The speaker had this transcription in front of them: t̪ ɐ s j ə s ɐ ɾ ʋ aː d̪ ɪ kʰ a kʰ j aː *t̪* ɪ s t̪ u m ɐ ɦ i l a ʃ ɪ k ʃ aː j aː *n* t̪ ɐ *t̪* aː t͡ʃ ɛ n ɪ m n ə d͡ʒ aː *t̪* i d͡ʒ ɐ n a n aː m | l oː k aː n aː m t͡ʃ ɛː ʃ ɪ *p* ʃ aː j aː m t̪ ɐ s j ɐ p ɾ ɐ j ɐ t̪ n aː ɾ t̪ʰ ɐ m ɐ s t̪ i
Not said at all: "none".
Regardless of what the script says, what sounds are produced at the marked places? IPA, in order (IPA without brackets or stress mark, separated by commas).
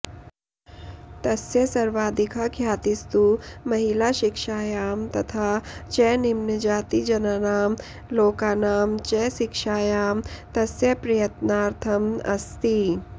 t̪, m, t̪ʰ, t̪, k